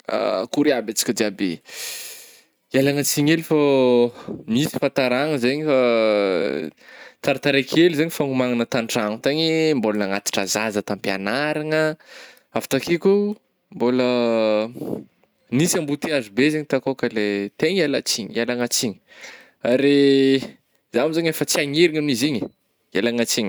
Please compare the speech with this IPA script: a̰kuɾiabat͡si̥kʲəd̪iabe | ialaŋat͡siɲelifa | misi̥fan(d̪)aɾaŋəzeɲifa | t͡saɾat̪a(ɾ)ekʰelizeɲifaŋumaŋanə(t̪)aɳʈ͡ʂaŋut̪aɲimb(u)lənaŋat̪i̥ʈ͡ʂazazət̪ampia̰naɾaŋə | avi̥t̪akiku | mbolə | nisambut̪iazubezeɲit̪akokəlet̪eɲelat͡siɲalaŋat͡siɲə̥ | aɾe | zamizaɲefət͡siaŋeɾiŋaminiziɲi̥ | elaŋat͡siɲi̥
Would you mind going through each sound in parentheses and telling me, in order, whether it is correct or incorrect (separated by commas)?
incorrect, correct, correct, incorrect